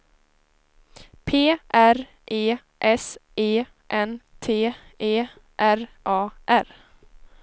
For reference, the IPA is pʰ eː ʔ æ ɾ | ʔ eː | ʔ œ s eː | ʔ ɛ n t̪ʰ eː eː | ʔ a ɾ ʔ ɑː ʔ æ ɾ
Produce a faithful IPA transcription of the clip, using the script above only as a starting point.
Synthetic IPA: pʰ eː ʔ æ ɾ | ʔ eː | ʔ ɛ s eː | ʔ ɛ n t̪ʰ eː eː | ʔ æ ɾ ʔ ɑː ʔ æ ɾ